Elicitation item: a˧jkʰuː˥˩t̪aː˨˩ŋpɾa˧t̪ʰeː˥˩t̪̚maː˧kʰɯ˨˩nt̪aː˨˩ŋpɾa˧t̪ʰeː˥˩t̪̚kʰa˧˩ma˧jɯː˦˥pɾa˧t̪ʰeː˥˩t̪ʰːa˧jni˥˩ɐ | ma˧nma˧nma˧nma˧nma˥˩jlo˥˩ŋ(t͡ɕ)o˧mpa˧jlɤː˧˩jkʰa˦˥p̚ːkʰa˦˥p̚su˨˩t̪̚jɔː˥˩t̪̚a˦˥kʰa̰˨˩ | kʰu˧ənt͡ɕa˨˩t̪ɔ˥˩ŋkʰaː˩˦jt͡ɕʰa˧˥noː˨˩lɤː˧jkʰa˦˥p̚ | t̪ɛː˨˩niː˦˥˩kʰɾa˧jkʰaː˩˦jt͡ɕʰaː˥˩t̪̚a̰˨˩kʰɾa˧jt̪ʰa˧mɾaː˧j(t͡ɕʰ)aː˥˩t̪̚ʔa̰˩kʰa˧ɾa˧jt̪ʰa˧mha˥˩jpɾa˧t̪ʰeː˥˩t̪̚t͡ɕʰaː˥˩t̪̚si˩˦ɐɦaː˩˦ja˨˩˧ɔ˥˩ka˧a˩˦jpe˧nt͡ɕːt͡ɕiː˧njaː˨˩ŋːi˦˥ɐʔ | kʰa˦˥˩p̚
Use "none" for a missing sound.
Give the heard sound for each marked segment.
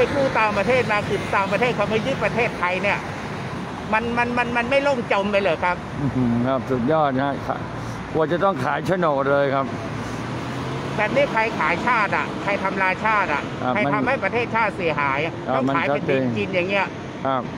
t͡ɕ, t͡ɕʰ

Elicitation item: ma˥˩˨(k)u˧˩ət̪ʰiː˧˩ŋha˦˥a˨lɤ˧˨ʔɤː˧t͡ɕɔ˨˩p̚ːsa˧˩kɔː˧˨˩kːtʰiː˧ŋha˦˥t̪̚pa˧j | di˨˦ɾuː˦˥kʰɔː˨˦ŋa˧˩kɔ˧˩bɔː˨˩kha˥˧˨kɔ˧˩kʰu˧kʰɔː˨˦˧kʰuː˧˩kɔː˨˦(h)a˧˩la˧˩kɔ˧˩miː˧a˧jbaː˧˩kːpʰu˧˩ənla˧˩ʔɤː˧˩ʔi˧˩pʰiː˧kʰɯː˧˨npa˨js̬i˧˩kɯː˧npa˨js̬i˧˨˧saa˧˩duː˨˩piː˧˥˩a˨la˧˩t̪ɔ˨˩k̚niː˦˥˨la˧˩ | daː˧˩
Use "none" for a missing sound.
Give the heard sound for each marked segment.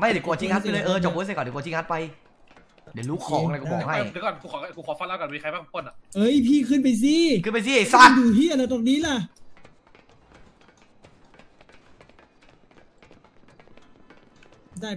k, f

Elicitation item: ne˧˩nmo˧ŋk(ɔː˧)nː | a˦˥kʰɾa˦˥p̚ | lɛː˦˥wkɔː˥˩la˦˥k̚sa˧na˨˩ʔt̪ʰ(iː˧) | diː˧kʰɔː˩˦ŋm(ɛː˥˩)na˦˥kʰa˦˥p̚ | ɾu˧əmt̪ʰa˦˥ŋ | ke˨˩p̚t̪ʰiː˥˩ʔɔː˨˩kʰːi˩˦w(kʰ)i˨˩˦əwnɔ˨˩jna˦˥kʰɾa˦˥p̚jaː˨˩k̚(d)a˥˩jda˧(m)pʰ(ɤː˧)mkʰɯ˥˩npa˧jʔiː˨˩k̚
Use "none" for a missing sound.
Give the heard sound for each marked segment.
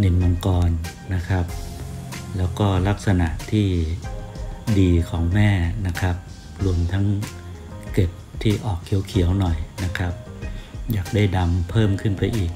ɔː˧, iː˥˩, ɛː˥˩, kʰ, d, m, ɤː˥˩

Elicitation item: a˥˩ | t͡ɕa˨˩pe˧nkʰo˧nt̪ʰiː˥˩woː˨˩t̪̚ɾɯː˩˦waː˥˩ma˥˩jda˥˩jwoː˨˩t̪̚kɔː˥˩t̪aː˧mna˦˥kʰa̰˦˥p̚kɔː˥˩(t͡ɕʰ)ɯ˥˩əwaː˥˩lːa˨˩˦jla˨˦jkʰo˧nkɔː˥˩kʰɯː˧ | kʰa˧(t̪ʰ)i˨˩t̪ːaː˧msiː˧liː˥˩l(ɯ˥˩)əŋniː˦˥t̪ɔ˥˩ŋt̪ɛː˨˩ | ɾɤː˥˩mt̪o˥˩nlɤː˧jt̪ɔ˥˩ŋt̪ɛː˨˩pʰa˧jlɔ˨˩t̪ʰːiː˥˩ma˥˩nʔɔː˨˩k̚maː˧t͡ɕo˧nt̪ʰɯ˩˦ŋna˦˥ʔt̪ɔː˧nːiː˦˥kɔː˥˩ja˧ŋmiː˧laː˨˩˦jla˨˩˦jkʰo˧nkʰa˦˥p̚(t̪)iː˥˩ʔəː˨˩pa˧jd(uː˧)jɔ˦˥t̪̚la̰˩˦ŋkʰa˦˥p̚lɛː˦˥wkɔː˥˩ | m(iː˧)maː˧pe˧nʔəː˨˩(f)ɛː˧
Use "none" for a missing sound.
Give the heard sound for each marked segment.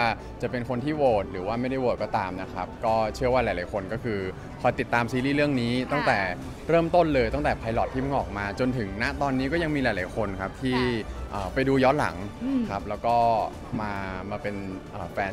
t͡ɕʰ, t̪, ɯ˥˩, t̪ʰ, uː˧, aː˧, f

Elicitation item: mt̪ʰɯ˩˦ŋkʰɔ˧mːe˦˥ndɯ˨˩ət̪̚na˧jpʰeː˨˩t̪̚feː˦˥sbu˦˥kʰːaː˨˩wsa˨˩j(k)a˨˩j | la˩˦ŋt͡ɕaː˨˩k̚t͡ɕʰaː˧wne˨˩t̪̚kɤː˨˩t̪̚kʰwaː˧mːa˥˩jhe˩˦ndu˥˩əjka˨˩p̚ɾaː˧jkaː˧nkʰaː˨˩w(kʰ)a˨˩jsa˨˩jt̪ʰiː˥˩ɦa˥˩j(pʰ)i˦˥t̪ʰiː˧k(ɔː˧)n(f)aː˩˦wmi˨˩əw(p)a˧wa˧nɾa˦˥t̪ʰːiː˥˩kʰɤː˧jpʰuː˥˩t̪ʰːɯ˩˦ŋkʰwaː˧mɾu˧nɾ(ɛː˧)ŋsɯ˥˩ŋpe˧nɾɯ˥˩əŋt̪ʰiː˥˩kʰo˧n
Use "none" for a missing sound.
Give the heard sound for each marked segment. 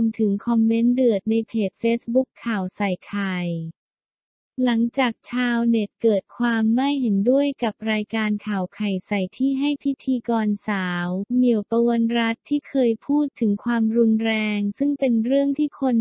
kʰ, kʰ, pʰ, ɔː˧, s, p, ɛː˧

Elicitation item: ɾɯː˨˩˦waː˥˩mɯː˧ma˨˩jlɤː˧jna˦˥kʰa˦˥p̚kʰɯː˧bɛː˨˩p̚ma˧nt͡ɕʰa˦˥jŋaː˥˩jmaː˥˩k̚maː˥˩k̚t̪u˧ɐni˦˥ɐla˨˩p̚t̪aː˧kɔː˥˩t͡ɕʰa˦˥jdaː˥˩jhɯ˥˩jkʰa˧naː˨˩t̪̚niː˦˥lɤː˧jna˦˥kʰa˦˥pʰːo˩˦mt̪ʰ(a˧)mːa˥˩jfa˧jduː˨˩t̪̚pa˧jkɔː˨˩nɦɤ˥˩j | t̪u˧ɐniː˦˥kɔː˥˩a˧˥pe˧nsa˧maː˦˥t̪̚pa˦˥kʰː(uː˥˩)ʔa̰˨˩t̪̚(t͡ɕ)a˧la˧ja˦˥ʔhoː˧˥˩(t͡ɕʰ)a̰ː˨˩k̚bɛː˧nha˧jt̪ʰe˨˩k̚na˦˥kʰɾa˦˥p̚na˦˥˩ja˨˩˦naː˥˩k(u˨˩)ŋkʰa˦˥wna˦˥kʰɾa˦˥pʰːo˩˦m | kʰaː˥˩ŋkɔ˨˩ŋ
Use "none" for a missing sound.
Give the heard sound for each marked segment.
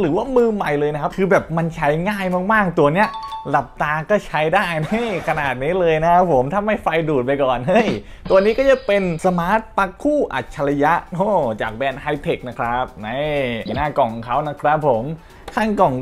a˥˩, uː˥˩, t͡ɕʰ, t͡ɕ, ɔ˨˩

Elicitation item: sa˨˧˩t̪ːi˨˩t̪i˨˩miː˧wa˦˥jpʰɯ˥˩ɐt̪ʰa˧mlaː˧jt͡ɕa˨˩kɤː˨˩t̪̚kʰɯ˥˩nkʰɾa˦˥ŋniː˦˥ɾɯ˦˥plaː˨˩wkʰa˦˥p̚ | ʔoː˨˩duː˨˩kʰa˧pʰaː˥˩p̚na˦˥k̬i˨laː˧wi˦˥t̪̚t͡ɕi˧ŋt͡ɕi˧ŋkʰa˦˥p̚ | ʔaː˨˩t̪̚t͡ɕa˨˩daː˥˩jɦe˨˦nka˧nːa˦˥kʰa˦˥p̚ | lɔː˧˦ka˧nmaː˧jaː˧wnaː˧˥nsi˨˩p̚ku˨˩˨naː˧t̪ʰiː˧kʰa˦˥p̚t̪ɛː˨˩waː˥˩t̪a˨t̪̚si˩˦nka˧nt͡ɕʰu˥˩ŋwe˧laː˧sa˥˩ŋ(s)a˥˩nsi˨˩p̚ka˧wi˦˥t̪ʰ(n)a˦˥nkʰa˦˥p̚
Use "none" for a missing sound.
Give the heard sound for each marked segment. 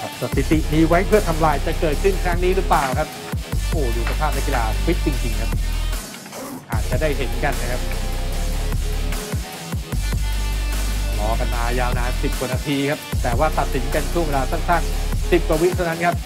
s, n

